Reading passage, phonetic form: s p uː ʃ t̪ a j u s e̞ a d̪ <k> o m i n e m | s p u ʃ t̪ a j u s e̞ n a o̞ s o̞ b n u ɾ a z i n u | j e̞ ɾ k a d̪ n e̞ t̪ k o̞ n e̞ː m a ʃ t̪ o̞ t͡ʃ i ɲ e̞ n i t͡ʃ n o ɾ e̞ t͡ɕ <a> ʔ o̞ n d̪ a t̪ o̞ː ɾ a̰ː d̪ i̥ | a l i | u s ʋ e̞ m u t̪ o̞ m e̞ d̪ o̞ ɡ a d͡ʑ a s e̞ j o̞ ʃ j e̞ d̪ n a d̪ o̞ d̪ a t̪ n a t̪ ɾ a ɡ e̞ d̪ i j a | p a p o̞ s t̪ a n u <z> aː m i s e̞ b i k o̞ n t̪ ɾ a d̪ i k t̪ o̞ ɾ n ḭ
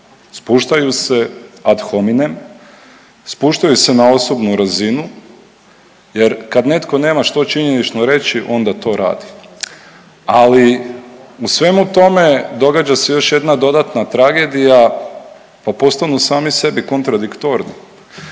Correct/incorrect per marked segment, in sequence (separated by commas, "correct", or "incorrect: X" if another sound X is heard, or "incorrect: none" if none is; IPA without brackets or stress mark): incorrect: x, incorrect: i, incorrect: s